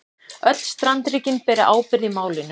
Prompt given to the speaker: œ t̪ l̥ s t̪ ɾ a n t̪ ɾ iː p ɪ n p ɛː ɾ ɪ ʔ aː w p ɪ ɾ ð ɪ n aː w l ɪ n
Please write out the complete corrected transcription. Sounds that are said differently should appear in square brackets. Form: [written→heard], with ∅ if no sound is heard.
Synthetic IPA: œ t̪ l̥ s t̪ ɾ a n t̪ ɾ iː [p→c] ɪ n p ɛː ɾ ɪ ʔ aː w p ɪ ɾ ð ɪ [n→m] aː w l ɪ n